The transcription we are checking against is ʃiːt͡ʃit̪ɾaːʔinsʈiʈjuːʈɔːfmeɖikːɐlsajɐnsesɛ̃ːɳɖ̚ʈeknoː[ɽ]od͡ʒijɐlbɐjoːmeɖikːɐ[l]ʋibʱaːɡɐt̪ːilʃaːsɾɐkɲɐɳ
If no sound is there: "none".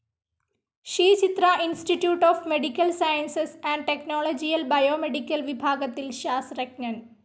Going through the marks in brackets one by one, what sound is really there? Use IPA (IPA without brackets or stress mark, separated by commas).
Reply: l, l